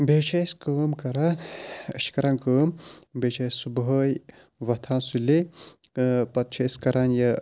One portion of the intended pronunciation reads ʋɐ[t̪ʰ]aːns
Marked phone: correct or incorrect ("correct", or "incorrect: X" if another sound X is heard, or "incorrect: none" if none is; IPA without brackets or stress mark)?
correct